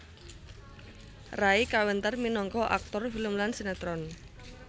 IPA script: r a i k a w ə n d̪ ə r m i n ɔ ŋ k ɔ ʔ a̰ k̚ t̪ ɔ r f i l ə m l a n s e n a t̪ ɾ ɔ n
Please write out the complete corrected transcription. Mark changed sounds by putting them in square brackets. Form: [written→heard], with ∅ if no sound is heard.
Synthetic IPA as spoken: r a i k a w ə n [d̪→t̪] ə r m i n ɔ ŋ k ɔ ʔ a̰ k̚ t̪ ɔ r f i l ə m l a n s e n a t̪ ɾ ɔ n